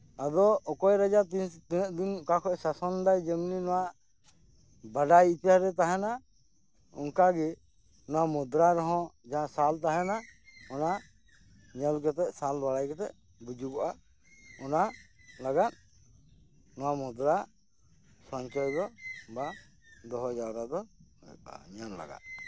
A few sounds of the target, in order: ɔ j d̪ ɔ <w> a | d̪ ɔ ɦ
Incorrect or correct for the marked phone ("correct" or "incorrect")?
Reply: incorrect